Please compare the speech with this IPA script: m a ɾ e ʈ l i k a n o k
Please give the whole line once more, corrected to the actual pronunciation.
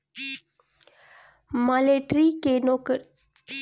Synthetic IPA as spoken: m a l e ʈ ɾ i k e n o k